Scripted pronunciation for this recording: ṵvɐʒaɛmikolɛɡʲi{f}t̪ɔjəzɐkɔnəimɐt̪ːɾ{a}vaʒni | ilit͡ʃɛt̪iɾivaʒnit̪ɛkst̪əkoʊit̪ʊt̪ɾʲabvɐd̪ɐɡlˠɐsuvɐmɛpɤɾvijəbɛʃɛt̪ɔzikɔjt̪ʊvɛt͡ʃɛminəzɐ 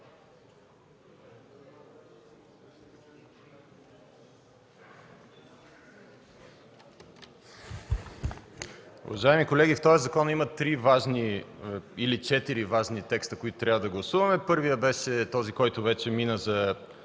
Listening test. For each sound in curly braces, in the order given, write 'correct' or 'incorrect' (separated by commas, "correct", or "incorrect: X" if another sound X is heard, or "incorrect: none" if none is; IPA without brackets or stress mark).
correct, incorrect: i